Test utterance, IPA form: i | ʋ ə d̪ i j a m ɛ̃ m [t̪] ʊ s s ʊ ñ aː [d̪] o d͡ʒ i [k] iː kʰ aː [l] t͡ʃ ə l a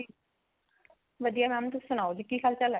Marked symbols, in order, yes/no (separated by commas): yes, no, yes, yes